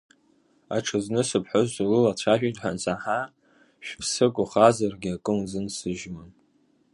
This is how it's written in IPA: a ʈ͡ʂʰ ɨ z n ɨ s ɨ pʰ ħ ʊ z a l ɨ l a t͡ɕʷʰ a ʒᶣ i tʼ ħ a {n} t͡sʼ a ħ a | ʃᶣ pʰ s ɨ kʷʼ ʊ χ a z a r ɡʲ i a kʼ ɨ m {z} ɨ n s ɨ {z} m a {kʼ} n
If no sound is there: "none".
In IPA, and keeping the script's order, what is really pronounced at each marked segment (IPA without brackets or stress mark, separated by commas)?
n, z, ʒ, none